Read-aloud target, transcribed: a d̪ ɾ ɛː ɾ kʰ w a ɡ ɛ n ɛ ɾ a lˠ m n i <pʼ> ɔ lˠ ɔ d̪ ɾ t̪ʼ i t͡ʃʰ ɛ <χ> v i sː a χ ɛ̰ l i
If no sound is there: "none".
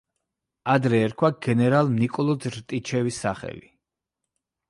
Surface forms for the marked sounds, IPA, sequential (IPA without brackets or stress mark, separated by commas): kʼ, none